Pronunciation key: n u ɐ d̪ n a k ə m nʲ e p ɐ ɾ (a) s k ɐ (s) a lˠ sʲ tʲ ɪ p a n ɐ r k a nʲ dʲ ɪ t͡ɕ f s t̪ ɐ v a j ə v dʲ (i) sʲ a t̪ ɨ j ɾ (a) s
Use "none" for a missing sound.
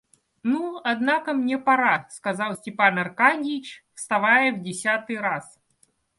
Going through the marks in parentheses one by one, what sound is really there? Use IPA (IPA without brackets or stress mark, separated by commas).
a, z, ɪ, a